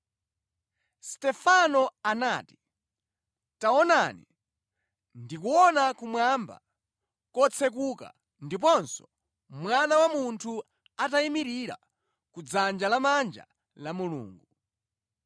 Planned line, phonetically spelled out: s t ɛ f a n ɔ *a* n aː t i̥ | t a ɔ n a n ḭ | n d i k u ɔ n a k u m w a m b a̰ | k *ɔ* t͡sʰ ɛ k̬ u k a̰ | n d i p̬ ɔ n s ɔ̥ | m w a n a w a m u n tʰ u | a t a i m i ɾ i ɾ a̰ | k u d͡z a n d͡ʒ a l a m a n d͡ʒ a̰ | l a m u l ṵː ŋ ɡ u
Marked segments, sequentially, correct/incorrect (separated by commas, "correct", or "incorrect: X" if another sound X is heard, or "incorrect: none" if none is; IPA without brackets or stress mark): correct, correct